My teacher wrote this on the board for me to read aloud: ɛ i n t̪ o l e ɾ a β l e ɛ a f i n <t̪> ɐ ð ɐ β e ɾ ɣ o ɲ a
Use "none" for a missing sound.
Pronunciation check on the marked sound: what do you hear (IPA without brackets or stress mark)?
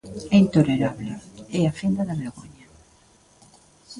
d̪